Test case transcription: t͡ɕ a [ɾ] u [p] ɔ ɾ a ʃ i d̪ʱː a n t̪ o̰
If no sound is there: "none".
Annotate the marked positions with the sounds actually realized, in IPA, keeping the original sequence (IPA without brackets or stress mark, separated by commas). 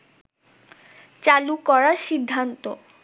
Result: l, k